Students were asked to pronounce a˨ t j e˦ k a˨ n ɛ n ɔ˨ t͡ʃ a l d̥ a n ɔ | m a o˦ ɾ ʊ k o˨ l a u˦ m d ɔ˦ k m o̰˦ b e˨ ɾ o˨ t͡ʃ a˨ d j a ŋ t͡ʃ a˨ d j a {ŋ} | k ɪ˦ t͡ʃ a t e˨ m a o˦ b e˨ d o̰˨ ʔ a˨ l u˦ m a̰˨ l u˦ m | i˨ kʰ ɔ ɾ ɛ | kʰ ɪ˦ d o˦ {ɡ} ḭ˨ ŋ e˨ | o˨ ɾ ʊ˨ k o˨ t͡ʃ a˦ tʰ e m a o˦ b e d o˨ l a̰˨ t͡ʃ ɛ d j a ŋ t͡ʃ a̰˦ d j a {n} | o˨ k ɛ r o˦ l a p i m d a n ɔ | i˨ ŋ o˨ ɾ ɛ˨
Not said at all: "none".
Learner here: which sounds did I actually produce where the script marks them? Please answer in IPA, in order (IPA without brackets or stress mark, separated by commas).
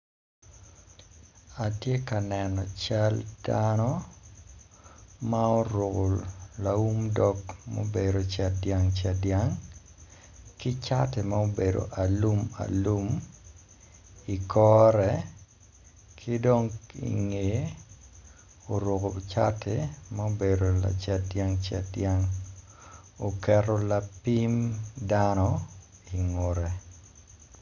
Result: ŋ, ŋ, ŋ